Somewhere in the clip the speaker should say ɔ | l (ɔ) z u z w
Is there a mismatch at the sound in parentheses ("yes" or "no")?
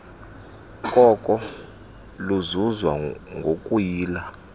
yes